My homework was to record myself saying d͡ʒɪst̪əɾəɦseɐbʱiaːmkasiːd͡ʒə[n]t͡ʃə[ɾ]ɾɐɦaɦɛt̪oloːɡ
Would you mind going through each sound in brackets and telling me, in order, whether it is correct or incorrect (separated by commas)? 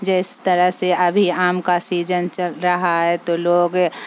correct, incorrect